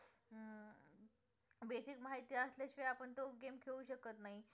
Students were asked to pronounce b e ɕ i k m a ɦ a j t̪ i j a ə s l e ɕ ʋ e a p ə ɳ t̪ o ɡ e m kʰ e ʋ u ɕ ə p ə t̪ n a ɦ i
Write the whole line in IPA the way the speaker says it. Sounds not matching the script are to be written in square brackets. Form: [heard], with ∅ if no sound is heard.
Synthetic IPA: b e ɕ i k m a ɦ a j t̪ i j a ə s l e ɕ ʋ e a p ə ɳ t̪ o ɡ e m kʰ e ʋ u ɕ ə [k] ə t̪ n a ɦ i